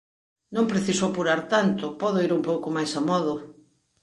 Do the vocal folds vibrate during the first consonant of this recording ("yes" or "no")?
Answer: yes